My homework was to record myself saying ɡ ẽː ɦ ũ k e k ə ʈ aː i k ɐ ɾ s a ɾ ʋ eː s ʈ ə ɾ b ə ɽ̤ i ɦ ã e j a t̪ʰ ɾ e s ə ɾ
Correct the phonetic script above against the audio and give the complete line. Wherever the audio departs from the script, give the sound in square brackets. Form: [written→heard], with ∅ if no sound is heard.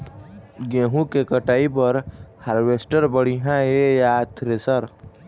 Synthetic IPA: ɡ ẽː ɦ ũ k e k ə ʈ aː i [k→p] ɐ ɾ [s→h] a ɾ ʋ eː s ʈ ə ɾ b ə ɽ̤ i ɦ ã e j a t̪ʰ ɾ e s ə ɾ